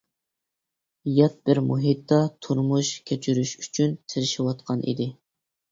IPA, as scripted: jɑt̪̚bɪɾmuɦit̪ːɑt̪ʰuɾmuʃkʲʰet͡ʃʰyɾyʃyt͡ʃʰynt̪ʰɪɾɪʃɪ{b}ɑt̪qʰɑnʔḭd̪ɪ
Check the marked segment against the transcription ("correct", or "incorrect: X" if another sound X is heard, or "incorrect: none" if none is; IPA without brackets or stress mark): incorrect: w